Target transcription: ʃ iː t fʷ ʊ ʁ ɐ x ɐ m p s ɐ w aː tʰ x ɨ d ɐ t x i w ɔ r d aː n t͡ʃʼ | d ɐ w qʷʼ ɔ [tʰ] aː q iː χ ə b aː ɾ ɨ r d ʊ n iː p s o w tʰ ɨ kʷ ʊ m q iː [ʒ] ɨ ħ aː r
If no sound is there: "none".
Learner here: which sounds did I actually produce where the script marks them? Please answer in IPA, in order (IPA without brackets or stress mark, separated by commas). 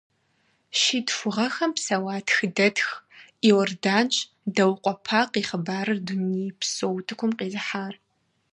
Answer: pʰ, z